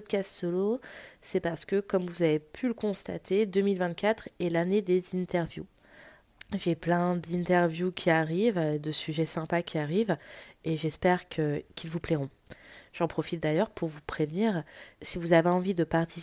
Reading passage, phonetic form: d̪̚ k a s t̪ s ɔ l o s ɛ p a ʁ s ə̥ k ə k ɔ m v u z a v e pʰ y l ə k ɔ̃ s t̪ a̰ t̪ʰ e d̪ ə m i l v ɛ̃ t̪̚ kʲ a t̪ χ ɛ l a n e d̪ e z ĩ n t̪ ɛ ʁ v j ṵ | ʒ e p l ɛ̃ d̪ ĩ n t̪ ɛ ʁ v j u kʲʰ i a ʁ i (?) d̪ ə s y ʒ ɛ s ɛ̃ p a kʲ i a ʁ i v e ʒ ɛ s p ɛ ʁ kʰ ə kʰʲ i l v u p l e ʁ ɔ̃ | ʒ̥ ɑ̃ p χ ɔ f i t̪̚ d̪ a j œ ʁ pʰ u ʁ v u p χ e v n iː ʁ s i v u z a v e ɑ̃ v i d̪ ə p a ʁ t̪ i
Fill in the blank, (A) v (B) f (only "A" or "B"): A